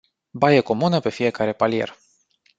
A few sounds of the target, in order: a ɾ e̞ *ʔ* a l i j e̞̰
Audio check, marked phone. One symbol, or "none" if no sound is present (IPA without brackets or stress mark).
p